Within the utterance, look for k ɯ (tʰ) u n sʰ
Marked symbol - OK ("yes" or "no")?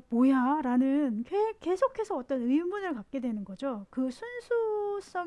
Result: no